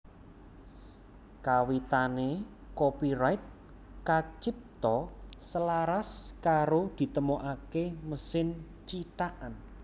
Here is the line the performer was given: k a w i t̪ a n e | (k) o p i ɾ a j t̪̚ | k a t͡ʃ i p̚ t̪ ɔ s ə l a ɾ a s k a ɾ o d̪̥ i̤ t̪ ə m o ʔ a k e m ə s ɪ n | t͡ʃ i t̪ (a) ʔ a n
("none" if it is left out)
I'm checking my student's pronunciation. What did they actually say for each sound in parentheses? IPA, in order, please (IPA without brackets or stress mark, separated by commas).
k, a